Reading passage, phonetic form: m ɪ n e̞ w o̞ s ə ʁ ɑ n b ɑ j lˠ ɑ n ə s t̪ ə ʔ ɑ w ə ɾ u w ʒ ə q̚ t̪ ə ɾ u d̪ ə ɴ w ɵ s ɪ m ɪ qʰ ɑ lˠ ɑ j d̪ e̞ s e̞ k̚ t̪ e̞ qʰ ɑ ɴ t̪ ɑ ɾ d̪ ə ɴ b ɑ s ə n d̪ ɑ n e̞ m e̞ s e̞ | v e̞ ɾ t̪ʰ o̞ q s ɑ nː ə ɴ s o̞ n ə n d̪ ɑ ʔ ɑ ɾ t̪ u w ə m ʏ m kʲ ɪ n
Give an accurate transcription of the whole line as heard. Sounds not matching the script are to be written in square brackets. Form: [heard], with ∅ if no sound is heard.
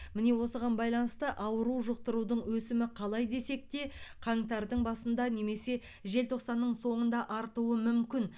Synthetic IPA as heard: m ɪ n e̞ w o̞ s ə ʁ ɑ n b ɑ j lˠ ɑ n ə s t̪ ə ʔ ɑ w ə ɾ u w ʒ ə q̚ t̪ ə ɾ u d̪ ə ɴ w ɵ s ɪ m ɪ qʰ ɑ lˠ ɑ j d̪ e̞ s e̞ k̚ t̪ e̞ qʰ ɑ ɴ t̪ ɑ ɾ d̪ ə ɴ b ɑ s ə n d̪ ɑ n e̞ m e̞ s e̞ | [ʒ] e̞ [l] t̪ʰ o̞ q s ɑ nː ə ɴ s o̞ [ɴ] ə n d̪ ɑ ʔ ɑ ɾ t̪ u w ə m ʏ m kʲ ɪ n

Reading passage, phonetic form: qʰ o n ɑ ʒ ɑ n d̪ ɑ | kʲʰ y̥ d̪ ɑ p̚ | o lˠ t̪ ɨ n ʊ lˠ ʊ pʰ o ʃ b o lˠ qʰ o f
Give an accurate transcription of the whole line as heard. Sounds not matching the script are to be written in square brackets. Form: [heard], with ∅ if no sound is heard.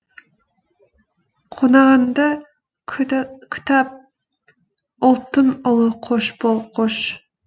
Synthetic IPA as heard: qʰ o n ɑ [ʁ] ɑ n d̪ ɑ | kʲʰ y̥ [t̪] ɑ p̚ | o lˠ t̪ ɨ n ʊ lˠ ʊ [qʰ] o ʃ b o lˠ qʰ o [ʃ]

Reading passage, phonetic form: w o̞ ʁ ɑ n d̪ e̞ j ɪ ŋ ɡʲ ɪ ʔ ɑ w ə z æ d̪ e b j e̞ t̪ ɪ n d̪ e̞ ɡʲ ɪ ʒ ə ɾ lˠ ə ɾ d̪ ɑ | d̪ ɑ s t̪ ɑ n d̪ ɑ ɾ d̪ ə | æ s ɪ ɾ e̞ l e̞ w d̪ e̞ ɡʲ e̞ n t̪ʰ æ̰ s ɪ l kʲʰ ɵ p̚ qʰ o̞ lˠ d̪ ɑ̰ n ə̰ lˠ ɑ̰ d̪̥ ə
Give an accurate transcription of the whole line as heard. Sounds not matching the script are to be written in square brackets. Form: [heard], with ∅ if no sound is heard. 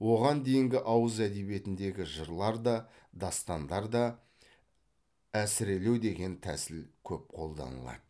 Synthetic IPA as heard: w o̞ ʁ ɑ n d̪ e̞ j ɪ ŋ ɡʲ ɪ ʔ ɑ w ə z æ d̪ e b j e̞ t̪ ɪ n d̪ e̞ ɡʲ ɪ ʒ ə ɾ lˠ [ɑ] ɾ d̪ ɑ | d̪ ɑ s t̪ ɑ n d̪ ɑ ɾ d̪ [ɑ] | æ s ɪ ɾ e̞ l e̞ w d̪ e̞ ɡʲ e̞ n t̪ʰ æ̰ s ɪ l kʲʰ ɵ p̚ qʰ o̞ lˠ d̪ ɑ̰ n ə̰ lˠ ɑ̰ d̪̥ ə

